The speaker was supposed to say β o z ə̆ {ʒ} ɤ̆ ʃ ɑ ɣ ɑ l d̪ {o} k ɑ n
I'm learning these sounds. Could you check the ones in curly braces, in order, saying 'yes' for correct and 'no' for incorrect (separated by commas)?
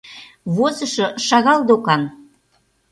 no, yes